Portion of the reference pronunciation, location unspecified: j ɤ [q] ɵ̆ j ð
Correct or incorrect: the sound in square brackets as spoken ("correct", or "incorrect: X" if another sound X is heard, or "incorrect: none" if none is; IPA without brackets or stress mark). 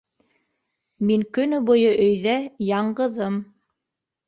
incorrect: ʔ